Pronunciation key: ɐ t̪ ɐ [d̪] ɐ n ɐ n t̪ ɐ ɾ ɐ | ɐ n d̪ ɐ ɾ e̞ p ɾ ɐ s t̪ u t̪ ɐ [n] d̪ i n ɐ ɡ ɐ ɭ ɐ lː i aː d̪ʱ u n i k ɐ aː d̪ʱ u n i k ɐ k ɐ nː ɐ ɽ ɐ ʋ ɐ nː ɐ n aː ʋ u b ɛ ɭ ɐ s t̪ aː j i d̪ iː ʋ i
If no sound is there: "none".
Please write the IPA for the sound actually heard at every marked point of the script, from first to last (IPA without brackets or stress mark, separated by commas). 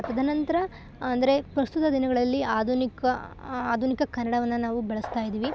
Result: d̪, none